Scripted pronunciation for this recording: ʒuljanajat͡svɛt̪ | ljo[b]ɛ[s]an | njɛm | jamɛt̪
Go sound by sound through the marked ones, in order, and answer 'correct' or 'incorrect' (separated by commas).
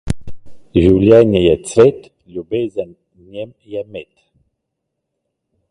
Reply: correct, incorrect